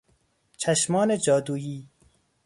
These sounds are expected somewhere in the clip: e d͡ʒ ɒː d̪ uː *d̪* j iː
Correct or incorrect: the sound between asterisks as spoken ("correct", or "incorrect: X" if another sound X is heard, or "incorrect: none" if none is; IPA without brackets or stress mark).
incorrect: none